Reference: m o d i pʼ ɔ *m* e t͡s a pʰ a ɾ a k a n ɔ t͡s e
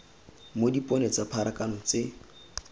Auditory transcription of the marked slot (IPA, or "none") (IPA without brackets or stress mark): n